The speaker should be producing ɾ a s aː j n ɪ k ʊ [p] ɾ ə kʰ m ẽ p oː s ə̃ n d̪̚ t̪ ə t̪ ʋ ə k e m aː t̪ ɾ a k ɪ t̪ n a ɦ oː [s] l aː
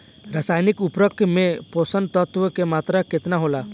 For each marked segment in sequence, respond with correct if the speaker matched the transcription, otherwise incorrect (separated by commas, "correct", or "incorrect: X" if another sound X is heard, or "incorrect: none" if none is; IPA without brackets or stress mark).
correct, incorrect: none